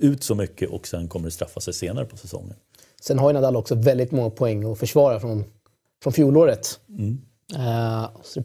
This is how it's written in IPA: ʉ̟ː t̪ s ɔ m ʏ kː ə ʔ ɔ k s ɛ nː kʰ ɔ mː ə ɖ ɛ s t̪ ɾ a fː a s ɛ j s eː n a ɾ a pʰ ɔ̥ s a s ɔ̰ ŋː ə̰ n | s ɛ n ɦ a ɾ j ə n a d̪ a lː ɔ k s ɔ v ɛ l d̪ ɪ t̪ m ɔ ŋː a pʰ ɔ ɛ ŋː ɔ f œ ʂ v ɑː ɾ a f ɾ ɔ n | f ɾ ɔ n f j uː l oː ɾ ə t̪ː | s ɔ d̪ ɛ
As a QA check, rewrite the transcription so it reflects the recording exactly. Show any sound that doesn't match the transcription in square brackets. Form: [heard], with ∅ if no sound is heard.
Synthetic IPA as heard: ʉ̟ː t̪ s ɔ m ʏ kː ə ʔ ɔ k s ɛ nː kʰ ɔ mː ə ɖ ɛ s t̪ ɾ a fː a s ɛ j s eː n a ɾ [ə] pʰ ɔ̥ s [ɛ] s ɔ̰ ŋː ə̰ n | s ɛ n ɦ a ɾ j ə n a d̪ a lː ɔ k s ɔ v ɛ l d̪ ɪ t̪ m ɔ ŋː a pʰ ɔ ɛ ŋː ɔ f œ ʂ v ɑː ɾ a f ɾ ɔ n | f ɾ ɔ n f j uː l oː ɾ ə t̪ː | s ɔ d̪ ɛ